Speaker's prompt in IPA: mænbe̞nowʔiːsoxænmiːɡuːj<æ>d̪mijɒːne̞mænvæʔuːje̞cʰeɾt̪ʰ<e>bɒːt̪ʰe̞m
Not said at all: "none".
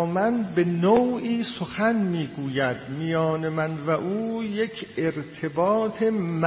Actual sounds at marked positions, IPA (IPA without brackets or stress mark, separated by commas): æ, e